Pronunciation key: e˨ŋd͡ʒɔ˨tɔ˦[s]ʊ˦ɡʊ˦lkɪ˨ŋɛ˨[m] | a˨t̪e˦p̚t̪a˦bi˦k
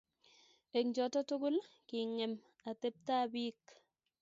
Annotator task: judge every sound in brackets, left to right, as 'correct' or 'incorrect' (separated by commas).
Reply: incorrect, correct